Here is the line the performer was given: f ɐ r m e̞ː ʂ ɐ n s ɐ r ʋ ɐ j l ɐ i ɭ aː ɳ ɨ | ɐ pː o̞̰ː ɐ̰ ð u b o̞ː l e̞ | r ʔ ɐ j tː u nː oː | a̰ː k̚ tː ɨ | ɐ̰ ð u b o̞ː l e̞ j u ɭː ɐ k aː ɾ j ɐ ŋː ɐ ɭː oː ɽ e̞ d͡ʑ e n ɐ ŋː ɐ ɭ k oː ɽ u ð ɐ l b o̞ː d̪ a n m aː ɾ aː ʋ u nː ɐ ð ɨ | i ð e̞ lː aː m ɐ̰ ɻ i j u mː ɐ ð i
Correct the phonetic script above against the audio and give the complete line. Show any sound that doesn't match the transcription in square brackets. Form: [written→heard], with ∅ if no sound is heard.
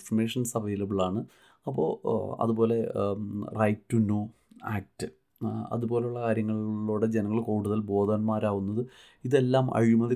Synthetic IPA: f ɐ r m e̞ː ʂ ɐ n s ɐ r ʋ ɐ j l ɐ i ɭ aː ɳ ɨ | ɐ pː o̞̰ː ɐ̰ ð u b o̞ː l e̞ | r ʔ ɐ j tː u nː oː | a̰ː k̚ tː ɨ | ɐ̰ ð u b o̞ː l e̞ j u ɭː ɐ k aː ɾ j ɐ ŋː ɐ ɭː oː ɽ e̞ d͡ʑ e n ɐ ŋː ɐ ɭ k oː ɽ u ð ɐ l b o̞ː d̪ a n m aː ɾ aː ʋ u nː ɐ ð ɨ | i ð e̞ lː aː m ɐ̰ ɻ i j u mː ɐ ð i